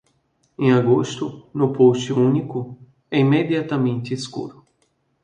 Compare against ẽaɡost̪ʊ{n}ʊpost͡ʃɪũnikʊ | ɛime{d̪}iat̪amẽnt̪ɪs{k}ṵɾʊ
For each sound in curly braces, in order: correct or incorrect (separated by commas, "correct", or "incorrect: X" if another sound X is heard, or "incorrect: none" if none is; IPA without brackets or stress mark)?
correct, correct, correct